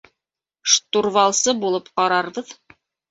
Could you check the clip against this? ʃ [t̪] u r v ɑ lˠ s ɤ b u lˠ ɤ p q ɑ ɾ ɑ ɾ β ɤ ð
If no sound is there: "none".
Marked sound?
t̪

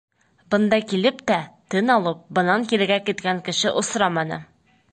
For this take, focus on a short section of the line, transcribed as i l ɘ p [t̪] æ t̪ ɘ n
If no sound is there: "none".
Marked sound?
t̪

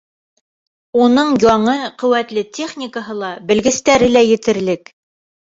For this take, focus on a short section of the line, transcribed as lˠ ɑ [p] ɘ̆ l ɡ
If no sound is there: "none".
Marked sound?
b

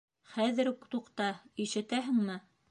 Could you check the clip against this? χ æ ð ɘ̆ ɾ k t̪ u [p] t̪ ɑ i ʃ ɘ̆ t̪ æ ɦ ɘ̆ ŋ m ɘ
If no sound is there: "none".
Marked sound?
q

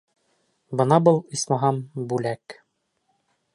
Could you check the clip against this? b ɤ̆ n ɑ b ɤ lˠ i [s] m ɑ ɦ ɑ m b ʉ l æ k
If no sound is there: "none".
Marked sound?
s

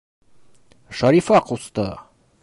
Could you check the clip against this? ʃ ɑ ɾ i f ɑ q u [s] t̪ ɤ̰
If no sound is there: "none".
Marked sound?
s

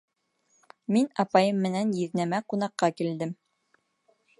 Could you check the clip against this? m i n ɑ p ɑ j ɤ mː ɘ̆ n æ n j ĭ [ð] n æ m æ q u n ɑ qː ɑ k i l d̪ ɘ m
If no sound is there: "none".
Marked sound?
ð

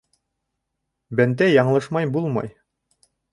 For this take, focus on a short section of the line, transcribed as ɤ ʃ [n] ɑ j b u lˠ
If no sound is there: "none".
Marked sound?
m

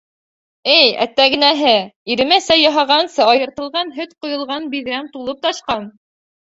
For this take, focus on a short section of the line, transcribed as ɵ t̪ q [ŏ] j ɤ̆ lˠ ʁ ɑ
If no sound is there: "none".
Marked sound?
ŏ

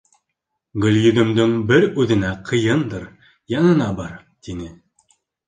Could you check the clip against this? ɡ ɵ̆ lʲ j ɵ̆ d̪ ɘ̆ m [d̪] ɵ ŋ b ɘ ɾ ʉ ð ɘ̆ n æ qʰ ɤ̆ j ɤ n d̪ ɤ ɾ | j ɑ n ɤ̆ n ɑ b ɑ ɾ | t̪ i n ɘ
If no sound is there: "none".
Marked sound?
d̪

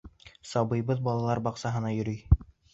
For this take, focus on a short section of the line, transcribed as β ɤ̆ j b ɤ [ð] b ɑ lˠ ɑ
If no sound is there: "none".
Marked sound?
ð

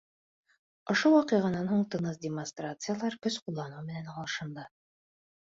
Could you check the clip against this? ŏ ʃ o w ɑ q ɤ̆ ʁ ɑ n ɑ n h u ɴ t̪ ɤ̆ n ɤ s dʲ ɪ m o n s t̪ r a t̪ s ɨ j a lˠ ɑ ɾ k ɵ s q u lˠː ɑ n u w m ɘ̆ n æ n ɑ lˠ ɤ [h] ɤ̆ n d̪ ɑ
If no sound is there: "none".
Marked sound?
ʃ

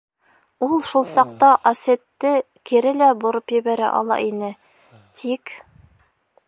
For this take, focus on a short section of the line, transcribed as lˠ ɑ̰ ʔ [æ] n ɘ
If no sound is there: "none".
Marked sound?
i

